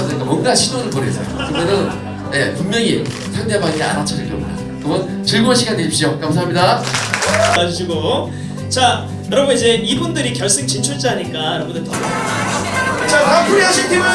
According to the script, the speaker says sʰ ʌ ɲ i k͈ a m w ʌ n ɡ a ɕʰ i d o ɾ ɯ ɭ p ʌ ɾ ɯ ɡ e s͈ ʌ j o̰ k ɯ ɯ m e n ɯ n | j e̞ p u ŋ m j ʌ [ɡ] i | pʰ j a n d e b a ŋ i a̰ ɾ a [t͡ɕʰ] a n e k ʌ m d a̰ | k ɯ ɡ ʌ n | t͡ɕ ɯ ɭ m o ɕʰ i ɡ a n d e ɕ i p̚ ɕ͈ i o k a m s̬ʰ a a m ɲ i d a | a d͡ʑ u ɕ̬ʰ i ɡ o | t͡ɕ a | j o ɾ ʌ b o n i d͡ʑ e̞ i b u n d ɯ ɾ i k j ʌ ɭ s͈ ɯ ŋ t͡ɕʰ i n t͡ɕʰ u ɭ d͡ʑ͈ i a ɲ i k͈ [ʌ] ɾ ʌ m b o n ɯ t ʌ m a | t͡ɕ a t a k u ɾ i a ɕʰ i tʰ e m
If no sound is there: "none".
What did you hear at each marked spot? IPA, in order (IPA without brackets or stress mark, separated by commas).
ŋ, t͡ɕʰ, a